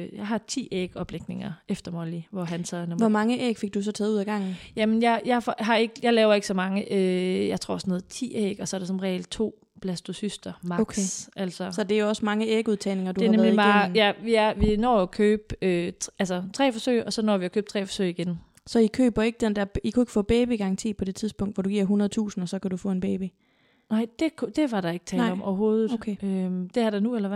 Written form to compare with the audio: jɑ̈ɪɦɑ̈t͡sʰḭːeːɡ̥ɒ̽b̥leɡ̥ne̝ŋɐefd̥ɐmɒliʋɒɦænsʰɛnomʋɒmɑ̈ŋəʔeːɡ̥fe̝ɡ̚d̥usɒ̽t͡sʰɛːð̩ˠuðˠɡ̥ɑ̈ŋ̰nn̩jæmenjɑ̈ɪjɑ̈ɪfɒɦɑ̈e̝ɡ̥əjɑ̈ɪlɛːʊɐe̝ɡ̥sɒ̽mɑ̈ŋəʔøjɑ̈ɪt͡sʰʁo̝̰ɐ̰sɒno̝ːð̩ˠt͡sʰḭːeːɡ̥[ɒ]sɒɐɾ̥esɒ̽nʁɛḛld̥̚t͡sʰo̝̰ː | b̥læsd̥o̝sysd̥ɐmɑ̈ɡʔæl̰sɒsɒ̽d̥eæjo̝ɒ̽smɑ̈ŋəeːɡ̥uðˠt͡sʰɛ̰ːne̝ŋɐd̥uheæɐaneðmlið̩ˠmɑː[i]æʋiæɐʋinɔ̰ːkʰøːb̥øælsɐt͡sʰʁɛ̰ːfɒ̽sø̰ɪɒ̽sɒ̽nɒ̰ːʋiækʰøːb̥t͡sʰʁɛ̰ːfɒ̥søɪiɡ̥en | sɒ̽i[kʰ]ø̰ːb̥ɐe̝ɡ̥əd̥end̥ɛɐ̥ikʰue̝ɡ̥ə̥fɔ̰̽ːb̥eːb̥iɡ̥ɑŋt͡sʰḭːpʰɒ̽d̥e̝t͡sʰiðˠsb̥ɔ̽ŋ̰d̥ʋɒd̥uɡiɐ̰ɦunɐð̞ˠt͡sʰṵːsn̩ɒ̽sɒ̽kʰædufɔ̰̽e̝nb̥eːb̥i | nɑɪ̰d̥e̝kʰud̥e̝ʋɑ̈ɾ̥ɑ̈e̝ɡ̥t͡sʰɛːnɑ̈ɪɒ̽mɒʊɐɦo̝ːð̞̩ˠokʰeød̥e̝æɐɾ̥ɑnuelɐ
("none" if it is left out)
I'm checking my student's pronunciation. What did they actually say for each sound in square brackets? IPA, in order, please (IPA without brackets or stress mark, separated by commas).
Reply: ɒ, j, kʰ